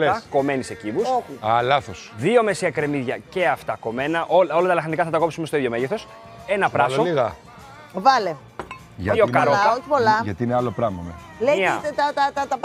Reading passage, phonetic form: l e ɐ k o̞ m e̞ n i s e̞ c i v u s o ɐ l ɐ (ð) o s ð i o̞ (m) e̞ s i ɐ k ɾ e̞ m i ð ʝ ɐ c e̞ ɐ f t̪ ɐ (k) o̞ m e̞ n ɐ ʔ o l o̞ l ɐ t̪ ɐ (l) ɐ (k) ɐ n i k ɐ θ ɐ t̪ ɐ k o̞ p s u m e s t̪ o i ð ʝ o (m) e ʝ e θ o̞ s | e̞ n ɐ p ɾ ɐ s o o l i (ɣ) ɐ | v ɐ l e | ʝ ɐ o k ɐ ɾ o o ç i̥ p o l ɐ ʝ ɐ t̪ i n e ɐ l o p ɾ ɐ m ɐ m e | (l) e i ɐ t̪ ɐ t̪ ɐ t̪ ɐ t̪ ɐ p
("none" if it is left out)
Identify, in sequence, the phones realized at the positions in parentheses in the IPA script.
θ, m, k, l, x, m, ɣ, l

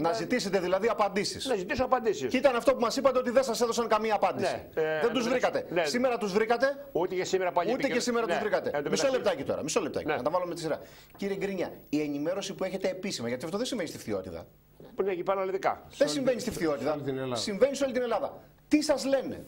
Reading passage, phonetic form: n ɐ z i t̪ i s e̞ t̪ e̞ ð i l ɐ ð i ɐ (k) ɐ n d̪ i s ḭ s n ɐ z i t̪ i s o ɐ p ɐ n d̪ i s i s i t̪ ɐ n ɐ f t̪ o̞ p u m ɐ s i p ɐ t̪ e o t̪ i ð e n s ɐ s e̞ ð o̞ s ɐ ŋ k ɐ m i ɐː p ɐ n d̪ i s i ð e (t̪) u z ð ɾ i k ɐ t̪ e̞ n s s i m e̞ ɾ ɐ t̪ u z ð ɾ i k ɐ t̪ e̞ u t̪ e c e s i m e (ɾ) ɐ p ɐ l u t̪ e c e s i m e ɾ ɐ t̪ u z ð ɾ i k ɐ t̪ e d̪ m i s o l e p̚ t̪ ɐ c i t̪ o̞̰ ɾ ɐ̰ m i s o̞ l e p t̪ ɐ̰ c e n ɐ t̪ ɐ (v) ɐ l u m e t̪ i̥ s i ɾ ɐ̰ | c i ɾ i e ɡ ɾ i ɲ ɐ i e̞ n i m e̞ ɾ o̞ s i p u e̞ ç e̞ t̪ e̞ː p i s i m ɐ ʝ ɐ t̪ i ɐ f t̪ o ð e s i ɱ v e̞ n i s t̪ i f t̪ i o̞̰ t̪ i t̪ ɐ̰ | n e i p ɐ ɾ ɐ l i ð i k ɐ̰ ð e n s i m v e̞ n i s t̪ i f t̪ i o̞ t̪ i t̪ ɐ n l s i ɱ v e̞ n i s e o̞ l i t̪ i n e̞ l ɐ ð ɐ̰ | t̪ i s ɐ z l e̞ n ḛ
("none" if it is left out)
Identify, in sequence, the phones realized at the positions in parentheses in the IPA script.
p, d̪, ɾ, v

